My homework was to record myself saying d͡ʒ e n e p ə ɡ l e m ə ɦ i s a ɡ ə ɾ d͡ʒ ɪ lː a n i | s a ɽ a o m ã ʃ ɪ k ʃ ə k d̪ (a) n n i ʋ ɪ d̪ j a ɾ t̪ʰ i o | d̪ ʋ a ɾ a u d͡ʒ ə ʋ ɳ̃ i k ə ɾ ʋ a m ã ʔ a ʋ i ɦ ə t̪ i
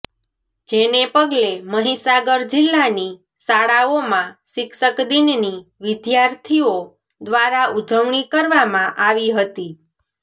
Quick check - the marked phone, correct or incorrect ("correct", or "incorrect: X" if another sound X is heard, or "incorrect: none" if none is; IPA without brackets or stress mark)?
incorrect: i